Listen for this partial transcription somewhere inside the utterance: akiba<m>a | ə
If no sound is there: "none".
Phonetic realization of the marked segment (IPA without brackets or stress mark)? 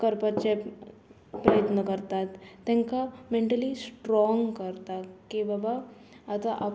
b